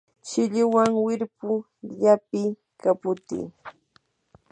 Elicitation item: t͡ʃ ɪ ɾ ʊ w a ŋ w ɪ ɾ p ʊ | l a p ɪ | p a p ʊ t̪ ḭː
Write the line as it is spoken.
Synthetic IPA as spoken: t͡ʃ ɪ ʎ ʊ w a ŋ w ɪ ɾ p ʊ | ʎ a p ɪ | k a p ʊ t̪ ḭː